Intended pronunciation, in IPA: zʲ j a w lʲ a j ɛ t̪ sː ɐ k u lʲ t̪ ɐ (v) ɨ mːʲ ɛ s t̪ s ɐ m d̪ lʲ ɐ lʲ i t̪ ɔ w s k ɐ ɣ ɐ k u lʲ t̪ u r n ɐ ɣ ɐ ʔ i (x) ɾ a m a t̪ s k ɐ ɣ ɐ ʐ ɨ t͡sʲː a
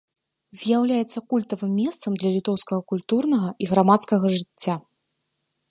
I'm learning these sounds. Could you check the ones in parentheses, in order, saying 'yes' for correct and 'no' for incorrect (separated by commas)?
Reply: yes, no